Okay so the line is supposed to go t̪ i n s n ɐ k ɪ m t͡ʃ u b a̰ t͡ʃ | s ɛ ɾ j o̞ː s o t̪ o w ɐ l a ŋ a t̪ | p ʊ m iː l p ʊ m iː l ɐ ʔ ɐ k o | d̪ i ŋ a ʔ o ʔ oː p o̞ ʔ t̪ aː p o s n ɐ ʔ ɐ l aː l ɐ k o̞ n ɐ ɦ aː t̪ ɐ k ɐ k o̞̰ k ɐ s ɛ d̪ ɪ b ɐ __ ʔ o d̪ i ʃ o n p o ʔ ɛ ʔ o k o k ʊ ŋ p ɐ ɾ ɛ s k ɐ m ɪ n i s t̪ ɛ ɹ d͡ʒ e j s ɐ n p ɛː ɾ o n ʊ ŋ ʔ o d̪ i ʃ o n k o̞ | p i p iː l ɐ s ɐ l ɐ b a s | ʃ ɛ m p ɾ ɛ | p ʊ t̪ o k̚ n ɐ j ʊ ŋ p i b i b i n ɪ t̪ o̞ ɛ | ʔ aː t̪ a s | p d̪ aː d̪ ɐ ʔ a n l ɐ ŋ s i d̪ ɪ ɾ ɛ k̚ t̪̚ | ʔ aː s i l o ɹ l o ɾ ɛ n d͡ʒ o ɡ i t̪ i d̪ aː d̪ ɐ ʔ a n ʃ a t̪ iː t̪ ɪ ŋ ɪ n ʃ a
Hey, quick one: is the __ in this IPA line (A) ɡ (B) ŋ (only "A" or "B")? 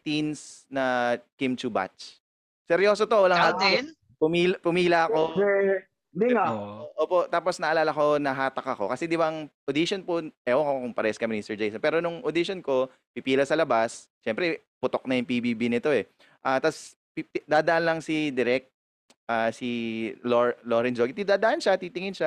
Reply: B